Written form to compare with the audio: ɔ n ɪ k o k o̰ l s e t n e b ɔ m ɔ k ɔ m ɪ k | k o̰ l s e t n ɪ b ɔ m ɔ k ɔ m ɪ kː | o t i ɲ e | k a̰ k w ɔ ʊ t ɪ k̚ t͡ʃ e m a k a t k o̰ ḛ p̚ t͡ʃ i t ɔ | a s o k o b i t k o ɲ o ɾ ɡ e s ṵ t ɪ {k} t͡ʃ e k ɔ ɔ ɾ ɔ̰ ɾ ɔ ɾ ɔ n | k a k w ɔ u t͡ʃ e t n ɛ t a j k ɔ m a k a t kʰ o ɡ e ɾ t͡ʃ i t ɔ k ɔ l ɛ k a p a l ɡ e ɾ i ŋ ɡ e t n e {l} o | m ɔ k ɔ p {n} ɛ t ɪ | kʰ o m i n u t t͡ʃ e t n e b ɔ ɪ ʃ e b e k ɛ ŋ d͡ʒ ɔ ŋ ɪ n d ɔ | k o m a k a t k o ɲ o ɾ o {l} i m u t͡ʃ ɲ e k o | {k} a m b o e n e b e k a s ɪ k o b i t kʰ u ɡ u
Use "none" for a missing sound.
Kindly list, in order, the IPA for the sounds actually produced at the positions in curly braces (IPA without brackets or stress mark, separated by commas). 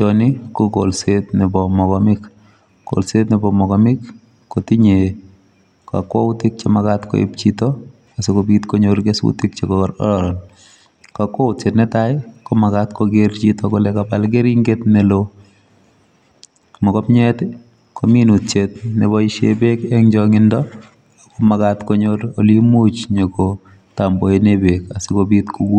k, l, ɲ, l, t